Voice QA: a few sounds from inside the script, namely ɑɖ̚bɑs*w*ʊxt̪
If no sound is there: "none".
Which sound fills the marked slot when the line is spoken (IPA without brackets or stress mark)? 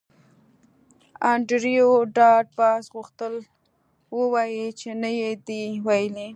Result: ɣ